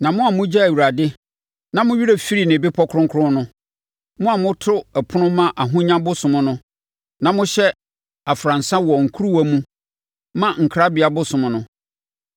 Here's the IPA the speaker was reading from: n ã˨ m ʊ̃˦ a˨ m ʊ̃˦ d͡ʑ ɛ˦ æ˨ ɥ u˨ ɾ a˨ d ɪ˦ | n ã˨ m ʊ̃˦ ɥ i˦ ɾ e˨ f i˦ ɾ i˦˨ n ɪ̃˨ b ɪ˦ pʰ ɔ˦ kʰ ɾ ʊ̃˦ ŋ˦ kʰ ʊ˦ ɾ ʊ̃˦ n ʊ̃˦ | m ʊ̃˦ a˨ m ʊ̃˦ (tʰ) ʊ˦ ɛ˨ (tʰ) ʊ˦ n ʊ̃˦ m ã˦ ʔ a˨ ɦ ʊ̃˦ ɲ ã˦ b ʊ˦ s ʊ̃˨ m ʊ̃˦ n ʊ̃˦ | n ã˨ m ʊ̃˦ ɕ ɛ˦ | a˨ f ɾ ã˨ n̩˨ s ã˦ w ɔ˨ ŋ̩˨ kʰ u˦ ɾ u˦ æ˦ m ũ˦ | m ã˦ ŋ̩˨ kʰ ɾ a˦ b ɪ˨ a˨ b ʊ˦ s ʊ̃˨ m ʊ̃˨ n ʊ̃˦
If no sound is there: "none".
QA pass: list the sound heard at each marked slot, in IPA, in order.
tʰ, pʰ

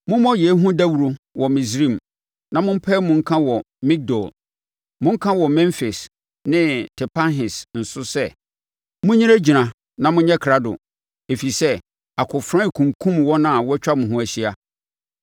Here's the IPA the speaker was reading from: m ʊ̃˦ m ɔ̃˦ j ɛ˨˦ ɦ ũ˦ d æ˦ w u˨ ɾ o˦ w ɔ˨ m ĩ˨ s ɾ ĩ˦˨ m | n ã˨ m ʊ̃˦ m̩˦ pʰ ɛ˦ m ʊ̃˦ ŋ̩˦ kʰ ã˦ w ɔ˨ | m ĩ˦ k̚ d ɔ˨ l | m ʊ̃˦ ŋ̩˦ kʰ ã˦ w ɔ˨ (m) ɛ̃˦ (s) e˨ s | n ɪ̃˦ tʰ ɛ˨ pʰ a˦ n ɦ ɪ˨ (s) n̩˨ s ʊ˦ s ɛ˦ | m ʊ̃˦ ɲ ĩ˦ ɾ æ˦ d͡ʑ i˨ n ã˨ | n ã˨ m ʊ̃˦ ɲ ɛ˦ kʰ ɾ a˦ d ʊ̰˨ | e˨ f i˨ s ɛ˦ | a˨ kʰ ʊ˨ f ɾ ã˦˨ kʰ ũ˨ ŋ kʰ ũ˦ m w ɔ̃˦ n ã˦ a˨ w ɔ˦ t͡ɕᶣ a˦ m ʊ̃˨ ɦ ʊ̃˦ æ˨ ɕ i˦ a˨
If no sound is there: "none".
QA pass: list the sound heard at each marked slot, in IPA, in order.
m, f, s

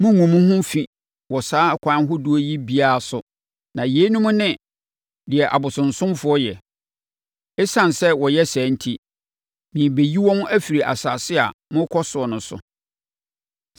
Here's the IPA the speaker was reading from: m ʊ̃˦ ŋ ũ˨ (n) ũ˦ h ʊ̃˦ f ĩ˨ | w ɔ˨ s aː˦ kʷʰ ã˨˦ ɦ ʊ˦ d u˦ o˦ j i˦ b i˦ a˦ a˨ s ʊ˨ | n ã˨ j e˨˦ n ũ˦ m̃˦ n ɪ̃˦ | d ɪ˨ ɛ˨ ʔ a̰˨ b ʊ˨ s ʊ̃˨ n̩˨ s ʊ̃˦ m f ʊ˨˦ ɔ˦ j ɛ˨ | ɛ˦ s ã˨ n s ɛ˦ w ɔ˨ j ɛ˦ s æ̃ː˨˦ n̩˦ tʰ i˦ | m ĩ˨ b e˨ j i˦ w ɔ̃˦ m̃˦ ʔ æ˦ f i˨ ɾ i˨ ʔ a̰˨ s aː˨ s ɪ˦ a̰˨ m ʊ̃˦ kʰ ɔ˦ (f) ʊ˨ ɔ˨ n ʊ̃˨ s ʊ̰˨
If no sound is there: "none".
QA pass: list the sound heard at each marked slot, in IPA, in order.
m, s

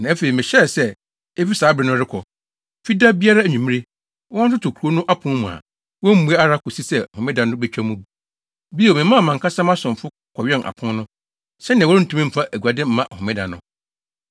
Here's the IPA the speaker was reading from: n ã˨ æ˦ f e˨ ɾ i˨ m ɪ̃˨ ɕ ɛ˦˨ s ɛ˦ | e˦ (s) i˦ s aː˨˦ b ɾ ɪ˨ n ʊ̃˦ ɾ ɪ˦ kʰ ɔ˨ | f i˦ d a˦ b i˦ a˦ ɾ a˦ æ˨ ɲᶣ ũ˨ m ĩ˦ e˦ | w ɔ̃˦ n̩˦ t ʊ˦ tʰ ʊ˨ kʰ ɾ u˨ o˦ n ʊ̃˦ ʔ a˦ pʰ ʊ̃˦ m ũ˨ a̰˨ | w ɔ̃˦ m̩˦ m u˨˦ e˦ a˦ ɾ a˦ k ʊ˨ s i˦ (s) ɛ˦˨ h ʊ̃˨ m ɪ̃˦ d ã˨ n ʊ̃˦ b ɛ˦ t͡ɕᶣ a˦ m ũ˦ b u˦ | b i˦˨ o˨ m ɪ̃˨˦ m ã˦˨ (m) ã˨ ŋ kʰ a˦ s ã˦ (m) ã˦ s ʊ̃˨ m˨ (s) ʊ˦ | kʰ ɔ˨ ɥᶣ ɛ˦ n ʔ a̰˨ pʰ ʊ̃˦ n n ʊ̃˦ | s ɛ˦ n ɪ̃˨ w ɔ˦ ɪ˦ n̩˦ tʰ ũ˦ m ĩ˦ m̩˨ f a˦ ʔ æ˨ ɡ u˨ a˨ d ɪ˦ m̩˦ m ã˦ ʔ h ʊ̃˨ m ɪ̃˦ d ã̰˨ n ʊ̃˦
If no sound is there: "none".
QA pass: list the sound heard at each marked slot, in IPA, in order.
f, s, m, m, f

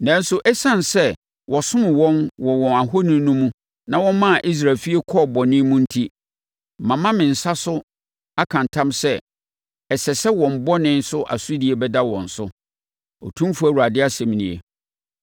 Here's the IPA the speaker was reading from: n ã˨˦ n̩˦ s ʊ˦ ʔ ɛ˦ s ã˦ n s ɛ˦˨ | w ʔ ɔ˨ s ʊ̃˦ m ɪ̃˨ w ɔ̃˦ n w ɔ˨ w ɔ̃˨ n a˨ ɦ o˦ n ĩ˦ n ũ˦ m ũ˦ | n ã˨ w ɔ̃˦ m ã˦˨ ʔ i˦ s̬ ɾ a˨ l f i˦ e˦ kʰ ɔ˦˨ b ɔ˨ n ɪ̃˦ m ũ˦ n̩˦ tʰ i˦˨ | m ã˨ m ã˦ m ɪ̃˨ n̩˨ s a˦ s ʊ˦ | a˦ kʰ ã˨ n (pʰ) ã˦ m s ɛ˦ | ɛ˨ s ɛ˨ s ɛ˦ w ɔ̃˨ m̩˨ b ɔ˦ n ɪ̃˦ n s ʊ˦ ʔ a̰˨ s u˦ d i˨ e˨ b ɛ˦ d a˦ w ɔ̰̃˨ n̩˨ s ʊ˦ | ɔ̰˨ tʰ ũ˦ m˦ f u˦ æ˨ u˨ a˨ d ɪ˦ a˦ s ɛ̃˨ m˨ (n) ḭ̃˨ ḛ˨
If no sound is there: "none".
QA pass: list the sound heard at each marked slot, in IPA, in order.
tʰ, n

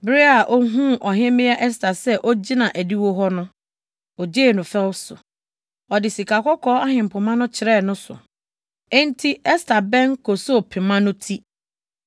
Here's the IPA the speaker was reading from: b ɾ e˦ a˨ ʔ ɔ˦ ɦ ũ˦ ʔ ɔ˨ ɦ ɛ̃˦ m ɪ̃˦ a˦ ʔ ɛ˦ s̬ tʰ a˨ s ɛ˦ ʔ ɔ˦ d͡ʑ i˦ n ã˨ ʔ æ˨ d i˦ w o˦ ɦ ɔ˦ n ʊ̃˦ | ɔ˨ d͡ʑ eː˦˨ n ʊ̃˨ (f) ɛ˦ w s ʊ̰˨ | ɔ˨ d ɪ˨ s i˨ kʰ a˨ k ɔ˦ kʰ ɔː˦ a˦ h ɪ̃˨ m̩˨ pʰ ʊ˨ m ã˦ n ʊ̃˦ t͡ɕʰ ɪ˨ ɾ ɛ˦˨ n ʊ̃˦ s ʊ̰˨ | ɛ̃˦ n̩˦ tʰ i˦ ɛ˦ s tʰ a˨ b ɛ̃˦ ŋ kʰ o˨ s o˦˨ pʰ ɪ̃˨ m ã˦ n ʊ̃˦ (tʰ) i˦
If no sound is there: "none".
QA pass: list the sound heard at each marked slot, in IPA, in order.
f, tʰ

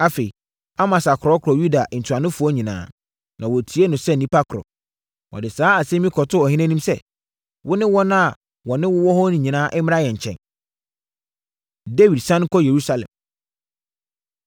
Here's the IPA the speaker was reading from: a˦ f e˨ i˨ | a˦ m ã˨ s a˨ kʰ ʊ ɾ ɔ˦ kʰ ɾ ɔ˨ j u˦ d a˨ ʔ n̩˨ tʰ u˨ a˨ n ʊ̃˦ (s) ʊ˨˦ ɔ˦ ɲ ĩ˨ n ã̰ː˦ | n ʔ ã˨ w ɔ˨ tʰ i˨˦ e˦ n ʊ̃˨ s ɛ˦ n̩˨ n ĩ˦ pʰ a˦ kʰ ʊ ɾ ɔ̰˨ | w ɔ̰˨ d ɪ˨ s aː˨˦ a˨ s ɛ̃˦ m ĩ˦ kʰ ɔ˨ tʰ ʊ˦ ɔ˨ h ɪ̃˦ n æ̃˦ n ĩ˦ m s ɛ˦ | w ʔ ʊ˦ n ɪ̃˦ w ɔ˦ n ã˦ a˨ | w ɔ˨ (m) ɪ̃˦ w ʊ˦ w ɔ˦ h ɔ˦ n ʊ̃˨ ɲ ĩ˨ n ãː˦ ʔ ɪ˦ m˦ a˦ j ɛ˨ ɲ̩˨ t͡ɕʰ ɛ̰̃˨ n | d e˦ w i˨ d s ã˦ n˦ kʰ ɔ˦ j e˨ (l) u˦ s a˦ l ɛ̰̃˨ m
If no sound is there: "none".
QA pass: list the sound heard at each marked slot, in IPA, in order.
f, n, ɾ

